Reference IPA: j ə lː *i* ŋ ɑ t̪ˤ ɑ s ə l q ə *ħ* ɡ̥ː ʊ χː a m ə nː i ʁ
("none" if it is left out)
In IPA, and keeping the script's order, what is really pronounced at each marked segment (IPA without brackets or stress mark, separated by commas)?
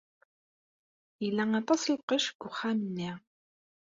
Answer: æ, ʃ